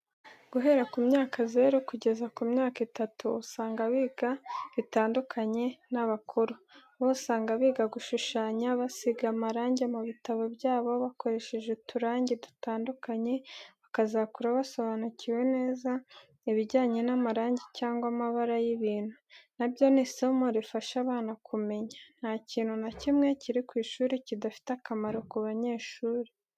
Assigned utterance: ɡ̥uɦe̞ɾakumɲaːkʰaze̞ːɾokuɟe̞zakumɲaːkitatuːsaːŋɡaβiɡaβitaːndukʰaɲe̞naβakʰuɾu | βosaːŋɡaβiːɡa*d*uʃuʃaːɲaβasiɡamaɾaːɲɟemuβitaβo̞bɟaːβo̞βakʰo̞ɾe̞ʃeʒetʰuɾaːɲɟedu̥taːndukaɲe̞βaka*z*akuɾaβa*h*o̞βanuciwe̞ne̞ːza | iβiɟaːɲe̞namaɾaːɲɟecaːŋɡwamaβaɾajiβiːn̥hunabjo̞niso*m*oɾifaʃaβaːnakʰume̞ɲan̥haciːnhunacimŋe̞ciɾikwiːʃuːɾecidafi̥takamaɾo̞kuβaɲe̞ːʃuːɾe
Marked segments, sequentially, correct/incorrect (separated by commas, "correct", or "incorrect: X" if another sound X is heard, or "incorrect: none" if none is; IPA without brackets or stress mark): incorrect: ɡ, correct, incorrect: s, correct